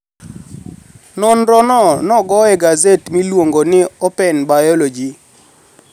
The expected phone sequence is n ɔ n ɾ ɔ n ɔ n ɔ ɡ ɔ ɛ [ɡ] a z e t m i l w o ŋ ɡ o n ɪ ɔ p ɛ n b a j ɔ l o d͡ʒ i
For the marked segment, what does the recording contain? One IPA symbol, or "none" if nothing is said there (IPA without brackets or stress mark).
ɡ